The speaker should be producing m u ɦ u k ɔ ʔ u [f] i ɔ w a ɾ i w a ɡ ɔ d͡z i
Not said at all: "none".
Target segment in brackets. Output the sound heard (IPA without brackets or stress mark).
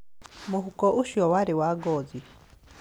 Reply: ʃ